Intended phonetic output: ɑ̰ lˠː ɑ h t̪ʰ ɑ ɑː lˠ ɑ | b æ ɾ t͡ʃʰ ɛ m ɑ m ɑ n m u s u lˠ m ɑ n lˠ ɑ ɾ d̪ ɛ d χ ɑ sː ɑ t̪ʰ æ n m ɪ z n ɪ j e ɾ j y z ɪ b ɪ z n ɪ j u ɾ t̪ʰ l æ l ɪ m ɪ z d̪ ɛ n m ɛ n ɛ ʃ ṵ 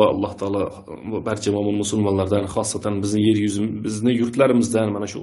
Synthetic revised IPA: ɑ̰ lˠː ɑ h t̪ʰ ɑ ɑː lˠ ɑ | b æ ɾ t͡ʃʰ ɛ m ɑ m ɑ n m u s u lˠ m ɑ n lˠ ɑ ɾ d̪ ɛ n χ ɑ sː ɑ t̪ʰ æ n b ɪ z n ɪ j e ɾ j y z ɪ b ɪ z n ɪ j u ɾ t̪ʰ l æ ɾ ɪ m ɪ z d̪ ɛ n m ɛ n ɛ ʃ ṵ